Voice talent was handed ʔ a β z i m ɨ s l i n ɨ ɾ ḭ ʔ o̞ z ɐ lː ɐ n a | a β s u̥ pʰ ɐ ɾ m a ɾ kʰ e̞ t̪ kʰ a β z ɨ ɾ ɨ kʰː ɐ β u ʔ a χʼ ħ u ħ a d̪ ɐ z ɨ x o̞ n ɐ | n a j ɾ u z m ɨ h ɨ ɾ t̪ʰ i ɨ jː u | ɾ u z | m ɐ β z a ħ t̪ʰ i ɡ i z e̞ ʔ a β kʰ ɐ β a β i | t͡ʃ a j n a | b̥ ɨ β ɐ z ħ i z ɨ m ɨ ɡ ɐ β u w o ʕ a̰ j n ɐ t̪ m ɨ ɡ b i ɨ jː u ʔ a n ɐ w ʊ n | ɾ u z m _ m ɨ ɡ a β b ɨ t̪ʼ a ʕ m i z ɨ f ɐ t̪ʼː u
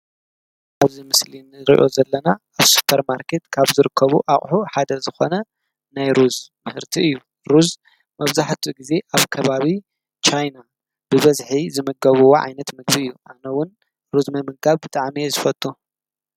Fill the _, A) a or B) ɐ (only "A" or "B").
B